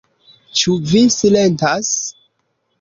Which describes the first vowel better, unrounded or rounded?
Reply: rounded